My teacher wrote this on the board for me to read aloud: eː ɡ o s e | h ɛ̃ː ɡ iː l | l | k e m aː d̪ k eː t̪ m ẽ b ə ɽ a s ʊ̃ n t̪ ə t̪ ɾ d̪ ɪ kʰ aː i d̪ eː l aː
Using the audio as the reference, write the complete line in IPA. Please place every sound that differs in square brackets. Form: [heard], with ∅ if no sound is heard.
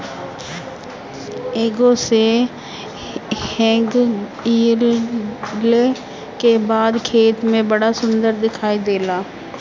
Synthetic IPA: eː ɡ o s e | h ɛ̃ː ɡ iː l | l | k e [b] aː d̪ [kʰ] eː t̪ m ẽ b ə ɽ a s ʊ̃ n [d̪] ə [∅] ɾ d̪ ɪ kʰ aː i d̪ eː l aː